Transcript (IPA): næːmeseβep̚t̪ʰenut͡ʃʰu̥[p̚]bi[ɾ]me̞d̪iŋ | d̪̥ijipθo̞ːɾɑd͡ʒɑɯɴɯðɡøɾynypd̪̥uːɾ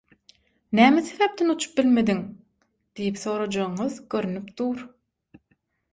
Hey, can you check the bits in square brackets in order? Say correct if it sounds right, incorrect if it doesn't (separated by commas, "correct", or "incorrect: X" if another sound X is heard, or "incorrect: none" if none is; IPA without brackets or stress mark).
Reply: correct, incorrect: l